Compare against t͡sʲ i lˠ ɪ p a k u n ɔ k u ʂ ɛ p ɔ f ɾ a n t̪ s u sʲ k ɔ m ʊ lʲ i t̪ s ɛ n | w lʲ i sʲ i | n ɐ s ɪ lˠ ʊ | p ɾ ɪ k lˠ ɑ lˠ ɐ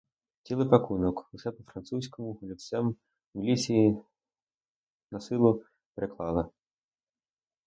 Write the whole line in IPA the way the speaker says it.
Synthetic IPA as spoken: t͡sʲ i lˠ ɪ p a k u n ɔ k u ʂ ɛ p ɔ f ɾ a n t̪ s u sʲ k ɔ m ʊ lʲ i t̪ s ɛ m | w lʲ i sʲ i | n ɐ s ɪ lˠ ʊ | p ɾ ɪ k lˠ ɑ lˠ ɐ